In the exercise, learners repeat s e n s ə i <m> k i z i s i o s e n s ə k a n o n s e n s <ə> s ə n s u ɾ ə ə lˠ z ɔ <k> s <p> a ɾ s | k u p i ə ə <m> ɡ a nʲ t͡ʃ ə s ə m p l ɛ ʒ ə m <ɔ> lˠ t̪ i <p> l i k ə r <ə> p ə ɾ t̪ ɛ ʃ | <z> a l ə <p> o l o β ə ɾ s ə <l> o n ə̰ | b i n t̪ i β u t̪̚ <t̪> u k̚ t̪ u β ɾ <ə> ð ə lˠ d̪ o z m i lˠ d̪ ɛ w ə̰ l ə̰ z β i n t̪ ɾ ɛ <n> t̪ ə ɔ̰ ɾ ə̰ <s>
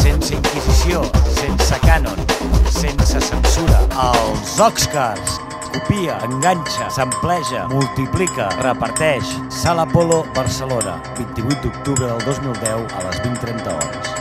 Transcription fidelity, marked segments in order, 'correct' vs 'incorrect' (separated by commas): incorrect, correct, correct, incorrect, incorrect, incorrect, correct, correct, incorrect, correct, correct, incorrect, correct, correct, correct